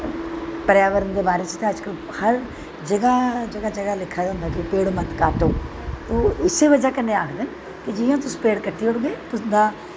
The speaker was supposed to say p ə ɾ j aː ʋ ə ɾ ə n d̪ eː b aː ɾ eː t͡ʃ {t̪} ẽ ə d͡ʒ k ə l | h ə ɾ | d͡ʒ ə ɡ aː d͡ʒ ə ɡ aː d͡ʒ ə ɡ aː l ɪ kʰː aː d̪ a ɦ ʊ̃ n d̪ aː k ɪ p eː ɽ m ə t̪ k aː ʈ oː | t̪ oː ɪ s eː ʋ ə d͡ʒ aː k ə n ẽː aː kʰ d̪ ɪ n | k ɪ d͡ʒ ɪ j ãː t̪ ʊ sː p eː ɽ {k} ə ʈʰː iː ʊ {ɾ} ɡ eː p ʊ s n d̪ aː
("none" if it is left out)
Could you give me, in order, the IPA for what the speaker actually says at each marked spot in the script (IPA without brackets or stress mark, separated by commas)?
t̪, k, ɽ